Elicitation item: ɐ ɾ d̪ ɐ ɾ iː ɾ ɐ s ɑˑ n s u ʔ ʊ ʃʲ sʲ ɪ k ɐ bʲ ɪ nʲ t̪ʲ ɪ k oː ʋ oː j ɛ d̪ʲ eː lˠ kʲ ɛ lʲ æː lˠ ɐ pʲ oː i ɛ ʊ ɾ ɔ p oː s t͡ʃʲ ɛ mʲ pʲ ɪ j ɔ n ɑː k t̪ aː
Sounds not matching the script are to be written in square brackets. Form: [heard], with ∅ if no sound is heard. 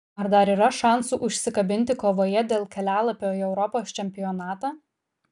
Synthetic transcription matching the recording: ɐ ɾ d̪ ɐ ɾ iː ɾ ɐ [ʃ] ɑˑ n s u ʔ ʊ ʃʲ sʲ ɪ k ɐ bʲ ɪ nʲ t̪ʲ ɪ k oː ʋ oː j ɛ d̪ʲ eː lˠ kʲ ɛ lʲ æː lˠ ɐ pʲ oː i ɛ ʊ ɾ ɔ p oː s t͡ʃʲ ɛ mʲ pʲ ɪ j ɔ n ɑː [∅] t̪ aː